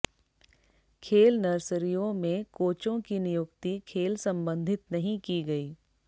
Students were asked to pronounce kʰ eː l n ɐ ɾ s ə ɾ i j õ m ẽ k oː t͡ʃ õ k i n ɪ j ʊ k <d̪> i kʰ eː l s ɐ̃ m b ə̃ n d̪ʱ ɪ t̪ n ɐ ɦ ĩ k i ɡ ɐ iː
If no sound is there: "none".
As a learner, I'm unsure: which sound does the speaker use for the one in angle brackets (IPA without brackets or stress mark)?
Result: t̪